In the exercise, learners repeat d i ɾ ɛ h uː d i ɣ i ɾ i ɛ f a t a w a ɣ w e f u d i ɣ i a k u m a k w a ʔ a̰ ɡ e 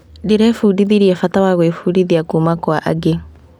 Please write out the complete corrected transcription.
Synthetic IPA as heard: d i ɾ ɛ f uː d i ð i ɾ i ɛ f a t a w a ɣ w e f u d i ð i a k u m a k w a ʔ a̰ ɡ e